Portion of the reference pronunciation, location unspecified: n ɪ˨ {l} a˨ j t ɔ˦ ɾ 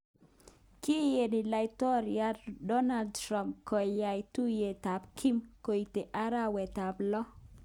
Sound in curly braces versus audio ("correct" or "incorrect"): correct